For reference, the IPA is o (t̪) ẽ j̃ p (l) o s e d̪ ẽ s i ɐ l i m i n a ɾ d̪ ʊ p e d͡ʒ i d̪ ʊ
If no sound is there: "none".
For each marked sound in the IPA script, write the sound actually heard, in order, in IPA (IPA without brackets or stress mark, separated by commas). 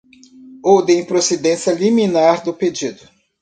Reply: d̪, ɾ